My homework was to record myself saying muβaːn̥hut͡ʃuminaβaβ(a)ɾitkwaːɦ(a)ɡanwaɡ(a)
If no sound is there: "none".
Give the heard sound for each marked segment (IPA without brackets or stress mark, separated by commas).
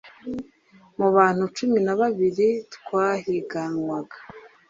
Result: i, i, a